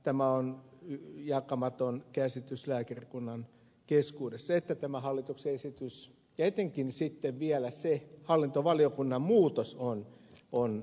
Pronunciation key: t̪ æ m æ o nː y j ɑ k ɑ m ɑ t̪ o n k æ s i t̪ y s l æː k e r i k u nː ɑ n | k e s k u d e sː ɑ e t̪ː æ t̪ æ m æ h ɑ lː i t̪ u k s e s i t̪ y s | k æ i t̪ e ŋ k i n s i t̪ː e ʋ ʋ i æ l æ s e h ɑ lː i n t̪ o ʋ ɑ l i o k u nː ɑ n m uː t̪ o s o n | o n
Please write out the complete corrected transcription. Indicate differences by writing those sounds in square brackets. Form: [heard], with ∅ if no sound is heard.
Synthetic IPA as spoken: t̪ æ m æ o [n] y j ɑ k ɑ m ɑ t̪ o n k æ s i t̪ y s l æː k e r i k u nː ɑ n | k e s k [uː] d e sː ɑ e t̪ː æ t̪ æ m æ h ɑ lː i t̪ u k s e s i t̪ y s | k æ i t̪ e ŋ k i n s i t̪ː e ʋ ʋ i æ l æ s e h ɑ lː i n t̪ o ʋ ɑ l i o k u nː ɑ [m] m uː t̪ o s o n | o n